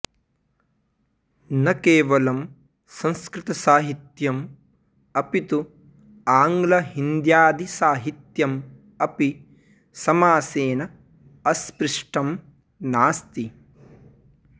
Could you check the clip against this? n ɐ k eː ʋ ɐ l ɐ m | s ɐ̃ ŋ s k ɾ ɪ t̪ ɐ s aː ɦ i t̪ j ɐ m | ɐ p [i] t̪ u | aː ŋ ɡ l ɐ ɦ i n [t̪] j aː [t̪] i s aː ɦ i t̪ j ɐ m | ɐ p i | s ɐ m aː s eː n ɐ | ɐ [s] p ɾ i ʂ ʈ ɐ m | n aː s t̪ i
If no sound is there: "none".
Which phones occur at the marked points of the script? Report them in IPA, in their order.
i, d̪, d̪, s

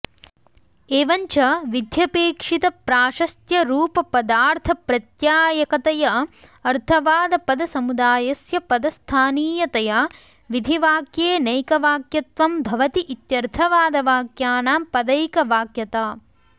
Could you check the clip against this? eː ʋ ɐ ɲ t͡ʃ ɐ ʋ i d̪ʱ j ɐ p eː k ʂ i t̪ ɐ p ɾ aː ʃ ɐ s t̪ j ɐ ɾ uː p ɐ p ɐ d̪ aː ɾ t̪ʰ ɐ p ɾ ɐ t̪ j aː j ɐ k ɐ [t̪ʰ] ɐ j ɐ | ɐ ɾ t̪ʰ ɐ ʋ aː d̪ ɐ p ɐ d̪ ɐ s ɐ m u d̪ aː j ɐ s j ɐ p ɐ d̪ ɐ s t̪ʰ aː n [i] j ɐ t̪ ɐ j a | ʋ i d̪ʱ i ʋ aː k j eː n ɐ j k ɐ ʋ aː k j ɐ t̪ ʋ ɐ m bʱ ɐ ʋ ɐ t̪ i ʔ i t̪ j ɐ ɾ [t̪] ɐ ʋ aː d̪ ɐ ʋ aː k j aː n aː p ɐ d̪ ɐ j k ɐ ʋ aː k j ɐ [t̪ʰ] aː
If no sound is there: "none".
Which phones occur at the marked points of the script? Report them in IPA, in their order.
t̪, iː, t̪ʰ, t̪

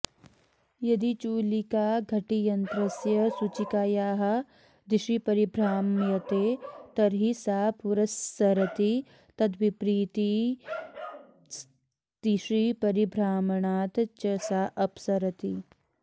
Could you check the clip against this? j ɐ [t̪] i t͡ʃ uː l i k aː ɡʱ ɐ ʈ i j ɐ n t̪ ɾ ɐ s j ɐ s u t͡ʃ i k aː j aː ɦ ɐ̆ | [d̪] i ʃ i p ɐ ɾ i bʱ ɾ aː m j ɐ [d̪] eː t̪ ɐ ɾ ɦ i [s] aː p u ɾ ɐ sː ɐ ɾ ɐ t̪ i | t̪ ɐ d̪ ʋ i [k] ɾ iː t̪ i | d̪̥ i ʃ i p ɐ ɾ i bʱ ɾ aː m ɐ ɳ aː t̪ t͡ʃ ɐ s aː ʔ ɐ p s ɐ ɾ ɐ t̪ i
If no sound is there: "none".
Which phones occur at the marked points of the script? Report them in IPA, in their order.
d̪, d̪, t̪, s, p

